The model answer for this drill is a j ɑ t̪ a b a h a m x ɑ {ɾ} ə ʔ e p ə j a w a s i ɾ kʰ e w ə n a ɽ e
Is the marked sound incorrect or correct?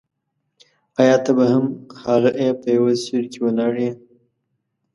correct